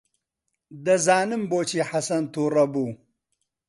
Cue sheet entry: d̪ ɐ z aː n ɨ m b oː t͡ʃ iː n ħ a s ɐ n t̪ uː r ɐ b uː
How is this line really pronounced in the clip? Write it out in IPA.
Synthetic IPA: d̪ ɐ z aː n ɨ m b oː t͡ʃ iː ħ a s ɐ n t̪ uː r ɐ b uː